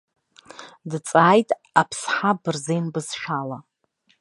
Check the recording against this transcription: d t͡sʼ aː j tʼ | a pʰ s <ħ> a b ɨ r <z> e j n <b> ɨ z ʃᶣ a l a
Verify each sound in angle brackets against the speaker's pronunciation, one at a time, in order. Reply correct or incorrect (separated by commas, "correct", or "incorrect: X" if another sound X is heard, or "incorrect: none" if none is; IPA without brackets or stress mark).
correct, correct, correct